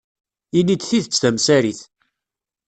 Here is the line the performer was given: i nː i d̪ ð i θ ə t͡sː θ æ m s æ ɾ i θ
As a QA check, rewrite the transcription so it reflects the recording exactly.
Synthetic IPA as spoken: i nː i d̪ θ i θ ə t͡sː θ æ m s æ ɾ i θ